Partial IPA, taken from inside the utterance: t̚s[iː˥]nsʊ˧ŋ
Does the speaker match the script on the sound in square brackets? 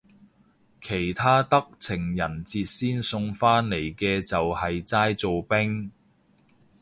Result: yes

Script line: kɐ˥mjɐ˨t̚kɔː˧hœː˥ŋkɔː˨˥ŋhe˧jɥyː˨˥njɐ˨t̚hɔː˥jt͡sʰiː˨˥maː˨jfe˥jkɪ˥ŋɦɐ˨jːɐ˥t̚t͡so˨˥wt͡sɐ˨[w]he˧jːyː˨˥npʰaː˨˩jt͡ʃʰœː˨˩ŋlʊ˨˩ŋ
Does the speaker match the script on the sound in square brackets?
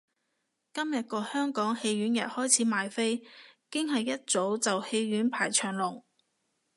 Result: yes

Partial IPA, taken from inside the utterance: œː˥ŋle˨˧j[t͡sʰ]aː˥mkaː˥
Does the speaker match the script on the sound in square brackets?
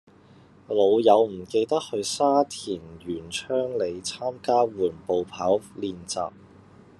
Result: yes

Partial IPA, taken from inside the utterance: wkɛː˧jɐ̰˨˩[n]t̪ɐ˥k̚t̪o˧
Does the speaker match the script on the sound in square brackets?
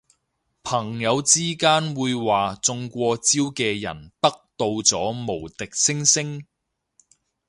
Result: yes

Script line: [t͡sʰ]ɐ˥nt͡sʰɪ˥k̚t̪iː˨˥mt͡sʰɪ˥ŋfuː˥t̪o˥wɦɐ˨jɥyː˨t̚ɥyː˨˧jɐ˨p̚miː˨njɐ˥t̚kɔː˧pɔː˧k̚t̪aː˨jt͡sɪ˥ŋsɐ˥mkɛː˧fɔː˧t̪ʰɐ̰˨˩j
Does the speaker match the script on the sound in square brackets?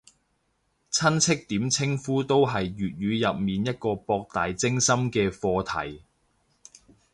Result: yes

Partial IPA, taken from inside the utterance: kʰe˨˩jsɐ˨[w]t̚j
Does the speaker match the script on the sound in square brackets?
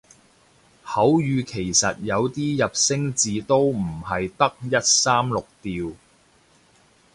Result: no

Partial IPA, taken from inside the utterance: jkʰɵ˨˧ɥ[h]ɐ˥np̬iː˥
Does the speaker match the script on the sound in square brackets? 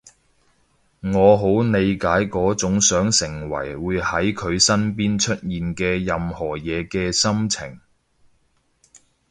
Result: no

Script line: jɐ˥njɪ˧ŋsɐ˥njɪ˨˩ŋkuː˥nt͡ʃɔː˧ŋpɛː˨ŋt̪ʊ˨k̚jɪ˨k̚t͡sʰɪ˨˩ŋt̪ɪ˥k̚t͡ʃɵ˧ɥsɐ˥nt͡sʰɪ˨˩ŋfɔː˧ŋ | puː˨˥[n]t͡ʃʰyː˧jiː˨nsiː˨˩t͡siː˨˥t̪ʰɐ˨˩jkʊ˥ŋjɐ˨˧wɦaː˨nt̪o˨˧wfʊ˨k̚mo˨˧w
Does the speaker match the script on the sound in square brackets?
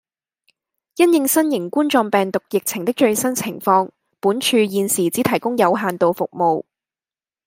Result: yes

